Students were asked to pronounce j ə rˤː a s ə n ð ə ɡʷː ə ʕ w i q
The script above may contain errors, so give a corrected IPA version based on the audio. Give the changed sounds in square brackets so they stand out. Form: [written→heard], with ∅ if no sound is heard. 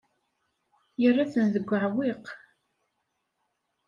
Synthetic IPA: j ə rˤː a [s→θ] ə n ð ə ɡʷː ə ʕ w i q